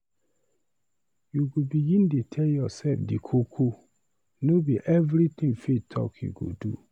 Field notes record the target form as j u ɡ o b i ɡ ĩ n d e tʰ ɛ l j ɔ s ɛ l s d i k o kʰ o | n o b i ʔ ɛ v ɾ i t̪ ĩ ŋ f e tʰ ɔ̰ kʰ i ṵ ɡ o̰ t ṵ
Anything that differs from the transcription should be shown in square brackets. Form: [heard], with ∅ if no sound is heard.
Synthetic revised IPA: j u ɡ o b i ɡ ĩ n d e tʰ ɛ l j ɔ s ɛ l [f] d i [kʰ] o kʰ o | n o b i ʔ ɛ v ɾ i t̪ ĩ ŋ f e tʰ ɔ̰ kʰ [j] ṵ ɡ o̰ [d] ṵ